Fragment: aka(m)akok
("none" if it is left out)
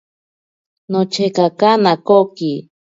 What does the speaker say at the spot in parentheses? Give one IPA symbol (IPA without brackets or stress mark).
n